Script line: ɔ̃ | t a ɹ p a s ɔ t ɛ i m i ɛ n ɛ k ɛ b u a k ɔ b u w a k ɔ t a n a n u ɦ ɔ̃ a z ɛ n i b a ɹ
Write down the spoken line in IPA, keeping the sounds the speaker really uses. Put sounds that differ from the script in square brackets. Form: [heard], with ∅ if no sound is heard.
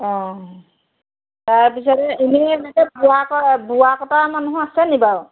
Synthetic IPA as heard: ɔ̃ | t a ɹ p [i] s ɔ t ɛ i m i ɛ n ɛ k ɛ b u a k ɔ b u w a k ɔ t a [m] a n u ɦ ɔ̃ a [s] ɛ n i b a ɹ